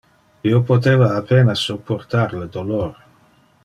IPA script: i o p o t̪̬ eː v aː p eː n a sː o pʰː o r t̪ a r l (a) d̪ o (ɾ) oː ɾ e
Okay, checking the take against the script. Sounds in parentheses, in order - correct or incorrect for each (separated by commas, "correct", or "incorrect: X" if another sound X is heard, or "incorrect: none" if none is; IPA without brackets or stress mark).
incorrect: e, incorrect: l